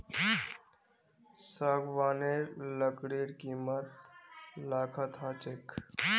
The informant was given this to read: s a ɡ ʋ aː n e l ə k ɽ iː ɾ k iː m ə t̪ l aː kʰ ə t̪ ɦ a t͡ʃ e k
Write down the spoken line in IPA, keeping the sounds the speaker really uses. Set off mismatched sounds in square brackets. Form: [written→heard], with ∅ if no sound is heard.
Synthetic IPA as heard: s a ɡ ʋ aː n e l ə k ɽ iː ɾ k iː m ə t̪ l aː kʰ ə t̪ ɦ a t͡ʃ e k